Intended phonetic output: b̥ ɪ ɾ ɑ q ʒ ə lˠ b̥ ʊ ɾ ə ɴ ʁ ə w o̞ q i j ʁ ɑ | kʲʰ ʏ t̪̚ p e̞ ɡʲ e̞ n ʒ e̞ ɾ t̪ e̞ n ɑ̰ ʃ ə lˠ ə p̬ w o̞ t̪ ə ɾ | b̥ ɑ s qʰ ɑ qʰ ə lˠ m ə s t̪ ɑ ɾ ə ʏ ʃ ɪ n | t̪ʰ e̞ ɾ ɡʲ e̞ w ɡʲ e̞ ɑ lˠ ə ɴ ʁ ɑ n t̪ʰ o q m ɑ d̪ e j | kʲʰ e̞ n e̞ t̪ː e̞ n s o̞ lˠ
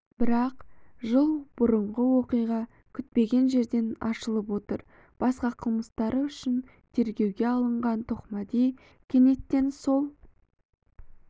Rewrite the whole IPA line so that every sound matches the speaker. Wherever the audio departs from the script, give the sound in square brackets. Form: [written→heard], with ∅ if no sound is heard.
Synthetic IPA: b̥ ɪ ɾ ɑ q ʒ ə lˠ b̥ ʊ ɾ ə ɴ ʁ ə w o̞ q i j ʁ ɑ | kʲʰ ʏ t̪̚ p e̞ ɡʲ e̞ n ʒ e̞ ɾ [t̪→d̪] e̞ n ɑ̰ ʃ ə lˠ ə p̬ w o̞ t̪ ə ɾ | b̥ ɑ s [qʰ→q] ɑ qʰ ə lˠ m ə s t̪ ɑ ɾ ə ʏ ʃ ɪ n | t̪ʰ e̞ ɾ ɡʲ e̞ w ɡʲ e̞ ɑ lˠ ə ɴ ʁ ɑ n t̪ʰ o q m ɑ d̪ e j | kʲʰ e̞ n e̞ t̪ː e̞ n s o̞ lˠ